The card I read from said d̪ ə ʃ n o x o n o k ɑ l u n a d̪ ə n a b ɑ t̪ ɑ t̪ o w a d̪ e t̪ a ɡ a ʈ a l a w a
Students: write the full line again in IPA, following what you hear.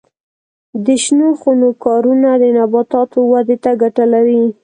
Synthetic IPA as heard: d̪ ə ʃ n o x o n o k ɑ ɾ u n a d̪ ə n a b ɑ t̪ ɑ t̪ o w a d̪ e t̪ a ɡ a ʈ a l a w i